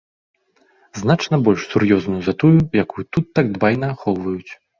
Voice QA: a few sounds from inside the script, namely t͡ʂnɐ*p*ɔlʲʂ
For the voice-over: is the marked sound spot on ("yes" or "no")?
no